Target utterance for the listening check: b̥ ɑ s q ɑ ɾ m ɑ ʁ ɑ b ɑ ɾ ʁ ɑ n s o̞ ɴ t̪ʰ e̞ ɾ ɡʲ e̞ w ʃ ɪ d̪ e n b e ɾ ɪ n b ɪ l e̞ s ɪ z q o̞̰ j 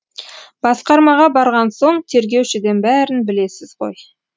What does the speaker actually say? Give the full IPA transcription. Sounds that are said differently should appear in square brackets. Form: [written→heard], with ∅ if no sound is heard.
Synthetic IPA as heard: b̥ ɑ s q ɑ ɾ m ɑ ʁ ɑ b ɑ ɾ ʁ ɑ n s o̞ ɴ t̪ʰ e̞ ɾ ɡʲ e̞ w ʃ ɪ d̪ e n b [e→æ] ɾ ɪ n b ɪ l e̞ s ɪ z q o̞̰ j